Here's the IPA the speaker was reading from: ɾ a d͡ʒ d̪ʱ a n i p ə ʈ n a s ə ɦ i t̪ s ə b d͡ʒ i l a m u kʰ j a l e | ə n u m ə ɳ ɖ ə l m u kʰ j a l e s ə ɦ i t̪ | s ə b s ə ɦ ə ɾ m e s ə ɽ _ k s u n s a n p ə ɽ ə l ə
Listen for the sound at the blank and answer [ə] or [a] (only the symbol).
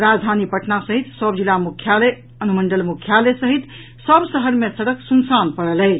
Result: ə